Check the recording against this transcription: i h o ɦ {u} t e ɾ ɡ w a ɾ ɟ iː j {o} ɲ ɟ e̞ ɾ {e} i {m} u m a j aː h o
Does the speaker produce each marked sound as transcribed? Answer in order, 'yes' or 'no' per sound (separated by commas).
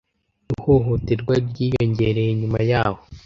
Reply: no, yes, yes, no